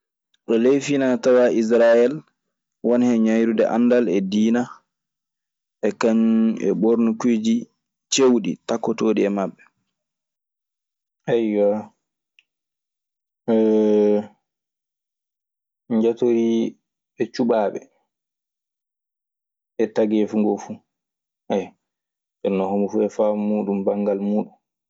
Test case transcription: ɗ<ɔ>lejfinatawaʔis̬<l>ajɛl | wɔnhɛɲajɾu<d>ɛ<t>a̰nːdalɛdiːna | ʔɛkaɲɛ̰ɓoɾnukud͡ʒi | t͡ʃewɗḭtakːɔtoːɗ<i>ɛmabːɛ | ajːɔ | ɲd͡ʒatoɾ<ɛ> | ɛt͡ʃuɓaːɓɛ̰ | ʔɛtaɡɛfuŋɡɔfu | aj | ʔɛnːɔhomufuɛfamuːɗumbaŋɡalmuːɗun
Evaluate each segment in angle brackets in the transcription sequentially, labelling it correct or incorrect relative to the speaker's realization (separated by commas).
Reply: correct, incorrect, correct, incorrect, correct, incorrect